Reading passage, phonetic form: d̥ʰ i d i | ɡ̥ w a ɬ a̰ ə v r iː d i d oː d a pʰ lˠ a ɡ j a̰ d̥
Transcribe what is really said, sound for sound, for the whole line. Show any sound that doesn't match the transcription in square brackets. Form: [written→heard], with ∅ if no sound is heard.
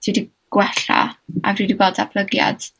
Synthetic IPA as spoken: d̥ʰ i d i | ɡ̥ w [a→ɛ] ɬ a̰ [ə→a] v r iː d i [d→b] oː d a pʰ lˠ [a→ə] ɡ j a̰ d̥